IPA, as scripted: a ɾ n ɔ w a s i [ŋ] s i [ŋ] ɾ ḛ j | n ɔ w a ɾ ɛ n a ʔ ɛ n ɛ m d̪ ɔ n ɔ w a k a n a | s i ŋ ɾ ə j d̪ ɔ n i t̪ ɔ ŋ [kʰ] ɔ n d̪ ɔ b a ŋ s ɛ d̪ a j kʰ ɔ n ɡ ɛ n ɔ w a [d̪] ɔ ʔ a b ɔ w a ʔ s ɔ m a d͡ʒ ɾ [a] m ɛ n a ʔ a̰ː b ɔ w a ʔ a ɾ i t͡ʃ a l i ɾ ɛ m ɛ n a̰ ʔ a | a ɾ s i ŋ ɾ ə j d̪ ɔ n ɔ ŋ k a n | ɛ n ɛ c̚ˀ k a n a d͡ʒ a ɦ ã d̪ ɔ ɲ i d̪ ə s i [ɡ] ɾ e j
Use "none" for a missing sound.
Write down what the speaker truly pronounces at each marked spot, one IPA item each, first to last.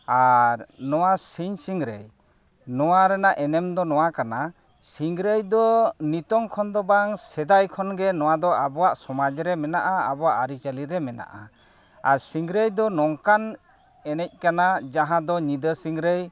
ɲ, ŋ, kʰ, d̪, ɛ, ŋ

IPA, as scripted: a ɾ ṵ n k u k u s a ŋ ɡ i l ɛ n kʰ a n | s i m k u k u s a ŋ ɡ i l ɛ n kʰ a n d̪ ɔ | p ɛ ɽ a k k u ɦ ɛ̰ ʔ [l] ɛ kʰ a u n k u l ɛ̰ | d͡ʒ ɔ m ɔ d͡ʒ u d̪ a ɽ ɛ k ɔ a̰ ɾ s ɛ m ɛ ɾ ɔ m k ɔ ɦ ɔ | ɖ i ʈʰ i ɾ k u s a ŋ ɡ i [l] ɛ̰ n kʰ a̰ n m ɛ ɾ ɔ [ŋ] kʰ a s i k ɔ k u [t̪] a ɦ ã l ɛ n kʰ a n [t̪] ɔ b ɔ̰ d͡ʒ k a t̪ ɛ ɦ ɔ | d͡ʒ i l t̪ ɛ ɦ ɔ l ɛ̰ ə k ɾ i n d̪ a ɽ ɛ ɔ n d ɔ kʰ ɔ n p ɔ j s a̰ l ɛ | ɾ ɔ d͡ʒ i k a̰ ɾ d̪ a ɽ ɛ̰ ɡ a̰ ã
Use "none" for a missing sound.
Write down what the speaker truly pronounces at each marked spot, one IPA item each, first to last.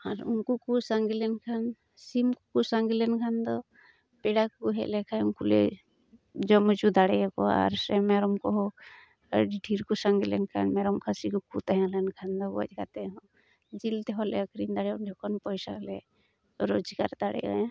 l, l, m, t̪, d̪

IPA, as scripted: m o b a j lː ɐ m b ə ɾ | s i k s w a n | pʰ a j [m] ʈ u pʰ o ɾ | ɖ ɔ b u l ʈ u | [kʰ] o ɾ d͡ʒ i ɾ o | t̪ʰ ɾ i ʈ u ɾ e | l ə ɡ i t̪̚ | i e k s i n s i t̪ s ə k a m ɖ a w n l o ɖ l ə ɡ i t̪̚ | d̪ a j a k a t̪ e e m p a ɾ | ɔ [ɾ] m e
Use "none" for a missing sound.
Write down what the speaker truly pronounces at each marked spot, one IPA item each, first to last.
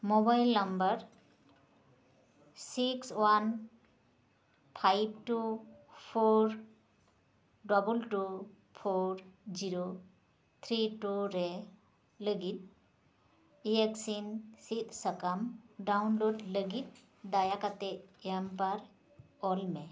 b, pʰ, l

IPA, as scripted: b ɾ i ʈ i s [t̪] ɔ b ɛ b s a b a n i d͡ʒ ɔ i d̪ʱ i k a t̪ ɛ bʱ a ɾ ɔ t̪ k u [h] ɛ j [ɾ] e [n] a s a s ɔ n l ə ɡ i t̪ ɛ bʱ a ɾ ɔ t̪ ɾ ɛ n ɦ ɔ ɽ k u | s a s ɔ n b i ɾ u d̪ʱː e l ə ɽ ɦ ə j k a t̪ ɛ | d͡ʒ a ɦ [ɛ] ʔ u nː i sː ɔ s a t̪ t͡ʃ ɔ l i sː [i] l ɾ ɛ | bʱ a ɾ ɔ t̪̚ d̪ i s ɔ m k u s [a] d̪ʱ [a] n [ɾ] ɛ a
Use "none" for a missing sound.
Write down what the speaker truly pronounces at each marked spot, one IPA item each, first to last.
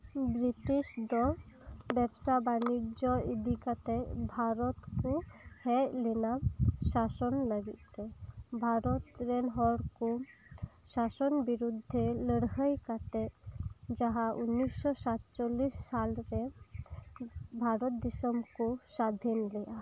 d̪, h, l, n, a, a, a, i, l

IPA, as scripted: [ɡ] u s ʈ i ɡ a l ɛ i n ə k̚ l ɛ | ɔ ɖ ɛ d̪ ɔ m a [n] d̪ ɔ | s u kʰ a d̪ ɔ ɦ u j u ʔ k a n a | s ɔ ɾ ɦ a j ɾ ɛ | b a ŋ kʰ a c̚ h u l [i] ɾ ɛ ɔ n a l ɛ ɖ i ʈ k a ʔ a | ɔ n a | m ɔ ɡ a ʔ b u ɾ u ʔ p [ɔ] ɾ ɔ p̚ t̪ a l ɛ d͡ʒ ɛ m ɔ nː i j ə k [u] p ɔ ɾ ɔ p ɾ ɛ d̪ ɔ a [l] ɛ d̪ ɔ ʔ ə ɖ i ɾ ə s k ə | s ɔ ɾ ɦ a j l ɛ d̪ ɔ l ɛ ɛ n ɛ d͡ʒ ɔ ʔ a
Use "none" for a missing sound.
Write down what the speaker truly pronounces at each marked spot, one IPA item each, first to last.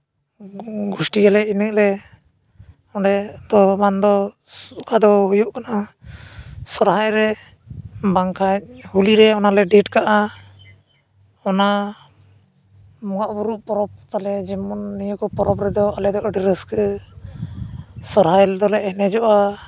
ɡ, n, i, ɔ, ɔ, l

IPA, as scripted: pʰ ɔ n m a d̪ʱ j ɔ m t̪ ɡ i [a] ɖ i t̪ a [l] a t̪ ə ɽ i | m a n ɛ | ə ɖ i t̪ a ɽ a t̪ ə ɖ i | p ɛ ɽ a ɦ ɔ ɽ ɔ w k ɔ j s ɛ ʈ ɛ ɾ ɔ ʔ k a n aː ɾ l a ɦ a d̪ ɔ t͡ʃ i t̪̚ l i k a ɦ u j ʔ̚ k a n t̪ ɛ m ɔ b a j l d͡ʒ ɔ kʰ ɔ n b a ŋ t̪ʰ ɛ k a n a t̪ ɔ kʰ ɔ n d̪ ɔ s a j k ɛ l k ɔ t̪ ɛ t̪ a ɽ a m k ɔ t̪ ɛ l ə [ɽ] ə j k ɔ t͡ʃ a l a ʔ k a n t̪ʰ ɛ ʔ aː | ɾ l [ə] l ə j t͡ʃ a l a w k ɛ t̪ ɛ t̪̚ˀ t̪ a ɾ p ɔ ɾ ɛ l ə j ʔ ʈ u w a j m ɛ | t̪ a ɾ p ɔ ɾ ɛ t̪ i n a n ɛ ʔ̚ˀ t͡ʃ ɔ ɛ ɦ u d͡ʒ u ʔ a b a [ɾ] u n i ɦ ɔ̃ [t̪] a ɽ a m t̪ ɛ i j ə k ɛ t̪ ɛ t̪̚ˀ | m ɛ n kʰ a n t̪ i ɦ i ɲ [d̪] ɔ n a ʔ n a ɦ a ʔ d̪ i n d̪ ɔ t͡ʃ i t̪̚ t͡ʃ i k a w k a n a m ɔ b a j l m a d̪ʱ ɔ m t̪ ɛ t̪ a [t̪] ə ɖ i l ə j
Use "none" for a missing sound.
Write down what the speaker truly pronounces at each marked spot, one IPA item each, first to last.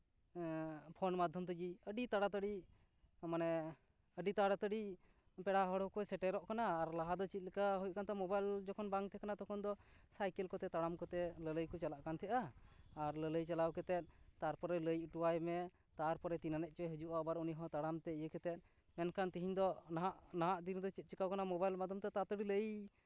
ə, ɽ, l, ə, ɾ, t̪, d̪, t̪

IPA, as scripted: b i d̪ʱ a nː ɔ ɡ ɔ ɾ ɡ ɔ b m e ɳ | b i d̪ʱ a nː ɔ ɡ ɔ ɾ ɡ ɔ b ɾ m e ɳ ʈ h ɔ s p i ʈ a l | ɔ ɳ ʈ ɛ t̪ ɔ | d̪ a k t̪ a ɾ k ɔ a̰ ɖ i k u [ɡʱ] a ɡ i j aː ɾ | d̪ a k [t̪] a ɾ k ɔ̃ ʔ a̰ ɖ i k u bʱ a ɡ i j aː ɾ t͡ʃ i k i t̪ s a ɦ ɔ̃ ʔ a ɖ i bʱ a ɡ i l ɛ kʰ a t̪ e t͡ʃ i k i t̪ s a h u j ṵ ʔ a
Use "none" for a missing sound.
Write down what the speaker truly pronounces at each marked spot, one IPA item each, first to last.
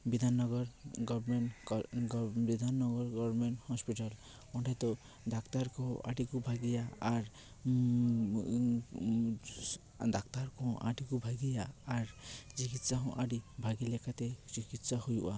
bʱ, t̪

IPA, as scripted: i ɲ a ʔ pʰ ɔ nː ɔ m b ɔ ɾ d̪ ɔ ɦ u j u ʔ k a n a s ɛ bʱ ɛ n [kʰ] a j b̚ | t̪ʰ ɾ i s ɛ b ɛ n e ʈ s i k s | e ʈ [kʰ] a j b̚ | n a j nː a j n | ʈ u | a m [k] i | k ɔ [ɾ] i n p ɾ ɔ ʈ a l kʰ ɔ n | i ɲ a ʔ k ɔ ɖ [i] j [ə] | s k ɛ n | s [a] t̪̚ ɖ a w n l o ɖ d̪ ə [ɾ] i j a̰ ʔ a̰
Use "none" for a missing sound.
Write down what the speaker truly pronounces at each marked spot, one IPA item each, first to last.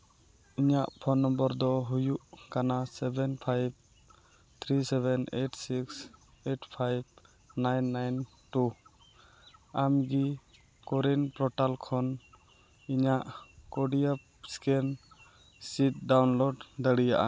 pʰ, pʰ, ɡ, ɾ, i, a, i, ɽ

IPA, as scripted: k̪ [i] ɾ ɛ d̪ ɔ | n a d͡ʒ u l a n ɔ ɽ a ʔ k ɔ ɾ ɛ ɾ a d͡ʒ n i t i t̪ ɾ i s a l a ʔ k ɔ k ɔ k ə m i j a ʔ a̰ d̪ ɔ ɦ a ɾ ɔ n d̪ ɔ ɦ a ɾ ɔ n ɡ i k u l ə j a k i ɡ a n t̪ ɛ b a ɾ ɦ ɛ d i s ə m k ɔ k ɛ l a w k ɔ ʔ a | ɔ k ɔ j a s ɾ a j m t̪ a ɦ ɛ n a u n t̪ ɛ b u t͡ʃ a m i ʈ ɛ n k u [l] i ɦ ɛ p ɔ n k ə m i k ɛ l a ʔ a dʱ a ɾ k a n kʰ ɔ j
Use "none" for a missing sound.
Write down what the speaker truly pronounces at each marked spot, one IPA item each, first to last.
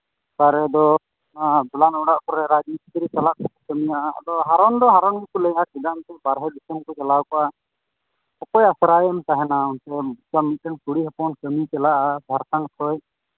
a, ɽ

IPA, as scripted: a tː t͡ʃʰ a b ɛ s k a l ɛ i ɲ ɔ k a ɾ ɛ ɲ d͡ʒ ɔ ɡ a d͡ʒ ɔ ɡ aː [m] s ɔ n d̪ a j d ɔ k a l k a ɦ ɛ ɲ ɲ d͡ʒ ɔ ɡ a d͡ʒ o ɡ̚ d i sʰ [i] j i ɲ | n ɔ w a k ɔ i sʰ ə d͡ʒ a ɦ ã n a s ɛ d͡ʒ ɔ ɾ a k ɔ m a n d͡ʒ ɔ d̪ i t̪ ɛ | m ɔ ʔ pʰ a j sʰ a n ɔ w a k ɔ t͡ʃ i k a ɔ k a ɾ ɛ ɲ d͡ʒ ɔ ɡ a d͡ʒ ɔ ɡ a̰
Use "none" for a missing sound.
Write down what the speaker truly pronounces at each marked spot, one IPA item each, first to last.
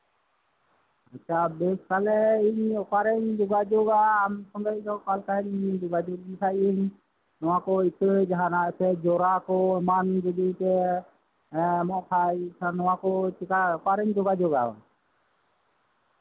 m, a

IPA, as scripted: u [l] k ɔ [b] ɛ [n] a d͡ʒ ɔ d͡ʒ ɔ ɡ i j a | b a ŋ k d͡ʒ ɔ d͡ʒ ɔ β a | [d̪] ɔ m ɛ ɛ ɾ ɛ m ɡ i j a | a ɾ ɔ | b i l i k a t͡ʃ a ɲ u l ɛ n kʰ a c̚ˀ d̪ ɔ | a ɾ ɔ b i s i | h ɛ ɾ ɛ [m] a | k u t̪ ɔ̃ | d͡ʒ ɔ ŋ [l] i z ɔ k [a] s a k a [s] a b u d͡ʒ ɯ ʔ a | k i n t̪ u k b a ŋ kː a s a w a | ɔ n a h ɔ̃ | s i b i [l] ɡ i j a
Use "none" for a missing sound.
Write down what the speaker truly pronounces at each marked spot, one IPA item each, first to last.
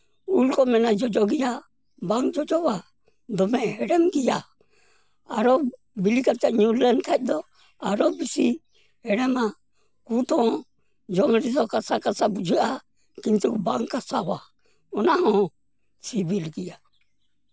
l, m, n, d̪, m, ɾ, a, s, l

